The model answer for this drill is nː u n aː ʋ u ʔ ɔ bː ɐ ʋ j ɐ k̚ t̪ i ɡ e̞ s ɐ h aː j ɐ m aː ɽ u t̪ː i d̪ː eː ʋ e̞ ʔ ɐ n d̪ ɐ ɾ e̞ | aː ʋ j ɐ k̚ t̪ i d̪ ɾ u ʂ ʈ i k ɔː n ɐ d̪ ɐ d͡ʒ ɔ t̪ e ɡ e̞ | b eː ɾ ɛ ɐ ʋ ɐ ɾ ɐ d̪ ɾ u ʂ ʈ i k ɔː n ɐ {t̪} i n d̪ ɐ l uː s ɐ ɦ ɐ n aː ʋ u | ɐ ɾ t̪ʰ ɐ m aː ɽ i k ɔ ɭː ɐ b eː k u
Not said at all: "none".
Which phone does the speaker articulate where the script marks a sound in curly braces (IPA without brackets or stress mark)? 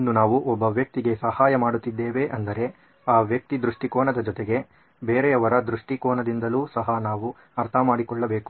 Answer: d̪